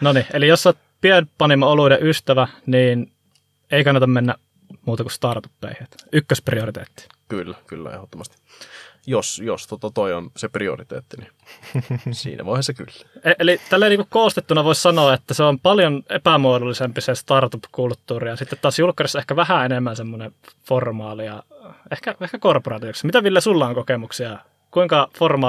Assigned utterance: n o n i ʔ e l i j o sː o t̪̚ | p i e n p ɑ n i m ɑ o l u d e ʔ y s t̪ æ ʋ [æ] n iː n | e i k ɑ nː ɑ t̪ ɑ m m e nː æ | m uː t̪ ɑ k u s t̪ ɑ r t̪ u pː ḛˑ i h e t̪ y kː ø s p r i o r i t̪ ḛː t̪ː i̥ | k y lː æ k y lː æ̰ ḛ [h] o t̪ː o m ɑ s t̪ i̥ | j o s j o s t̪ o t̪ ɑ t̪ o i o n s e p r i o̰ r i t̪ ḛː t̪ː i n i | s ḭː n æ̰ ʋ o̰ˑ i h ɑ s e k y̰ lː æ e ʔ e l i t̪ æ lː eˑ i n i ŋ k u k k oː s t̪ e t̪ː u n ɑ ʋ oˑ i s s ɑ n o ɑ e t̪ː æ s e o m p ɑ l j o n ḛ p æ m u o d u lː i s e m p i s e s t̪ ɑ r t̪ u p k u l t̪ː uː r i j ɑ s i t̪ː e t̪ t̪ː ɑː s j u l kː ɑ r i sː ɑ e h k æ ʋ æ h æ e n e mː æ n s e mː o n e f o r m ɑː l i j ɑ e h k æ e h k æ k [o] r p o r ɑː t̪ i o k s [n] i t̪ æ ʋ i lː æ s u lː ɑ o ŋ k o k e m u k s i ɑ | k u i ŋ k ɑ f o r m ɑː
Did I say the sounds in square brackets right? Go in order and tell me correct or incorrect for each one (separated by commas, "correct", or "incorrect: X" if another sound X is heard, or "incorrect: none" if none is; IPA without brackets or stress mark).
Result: correct, correct, correct, incorrect: m